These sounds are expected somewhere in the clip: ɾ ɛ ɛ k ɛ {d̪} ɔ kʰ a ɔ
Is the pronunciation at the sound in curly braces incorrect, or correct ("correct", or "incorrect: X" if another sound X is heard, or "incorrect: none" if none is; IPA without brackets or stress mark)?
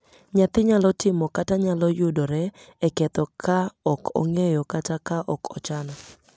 incorrect: t̪